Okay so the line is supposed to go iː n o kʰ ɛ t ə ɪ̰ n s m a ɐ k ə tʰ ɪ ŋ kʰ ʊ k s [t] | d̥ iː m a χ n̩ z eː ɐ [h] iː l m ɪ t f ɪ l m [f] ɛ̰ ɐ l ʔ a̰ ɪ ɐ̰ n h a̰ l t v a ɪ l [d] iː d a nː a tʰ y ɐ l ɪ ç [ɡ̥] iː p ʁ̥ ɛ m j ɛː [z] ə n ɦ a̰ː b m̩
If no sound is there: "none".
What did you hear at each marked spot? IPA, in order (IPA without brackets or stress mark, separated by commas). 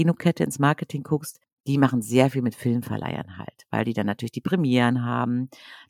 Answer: t, f, f, d, d̥, ʁ